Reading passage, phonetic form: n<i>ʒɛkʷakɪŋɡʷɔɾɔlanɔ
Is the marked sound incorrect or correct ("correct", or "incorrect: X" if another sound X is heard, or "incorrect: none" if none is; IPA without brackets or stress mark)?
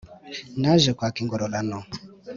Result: incorrect: a